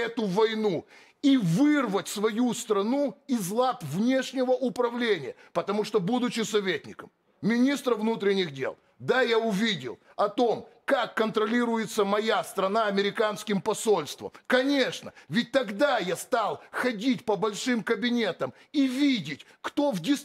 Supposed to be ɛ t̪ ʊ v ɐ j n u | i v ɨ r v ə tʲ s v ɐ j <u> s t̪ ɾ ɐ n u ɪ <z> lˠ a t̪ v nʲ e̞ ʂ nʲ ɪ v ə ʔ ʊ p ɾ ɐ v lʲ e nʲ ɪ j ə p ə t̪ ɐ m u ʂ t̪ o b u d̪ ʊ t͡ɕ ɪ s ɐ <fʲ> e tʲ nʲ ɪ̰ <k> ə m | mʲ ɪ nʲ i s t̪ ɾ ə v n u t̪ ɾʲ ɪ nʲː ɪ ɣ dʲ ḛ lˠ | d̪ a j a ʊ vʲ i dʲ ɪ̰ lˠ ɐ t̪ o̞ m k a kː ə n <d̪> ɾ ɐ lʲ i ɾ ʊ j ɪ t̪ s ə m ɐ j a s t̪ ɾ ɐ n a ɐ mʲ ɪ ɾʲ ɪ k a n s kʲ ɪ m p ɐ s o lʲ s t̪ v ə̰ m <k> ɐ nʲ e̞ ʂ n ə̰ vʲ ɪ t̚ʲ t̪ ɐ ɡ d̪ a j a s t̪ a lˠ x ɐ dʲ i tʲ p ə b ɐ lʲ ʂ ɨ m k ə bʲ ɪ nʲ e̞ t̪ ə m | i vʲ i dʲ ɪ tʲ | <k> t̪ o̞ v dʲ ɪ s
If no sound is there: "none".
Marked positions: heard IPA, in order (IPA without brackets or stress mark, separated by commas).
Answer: u, z, vʲ, k, t̪, k, k